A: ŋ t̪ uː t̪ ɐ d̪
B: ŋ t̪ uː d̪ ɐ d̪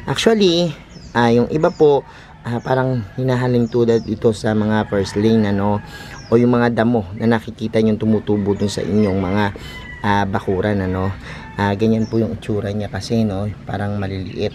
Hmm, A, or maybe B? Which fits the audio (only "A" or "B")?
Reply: B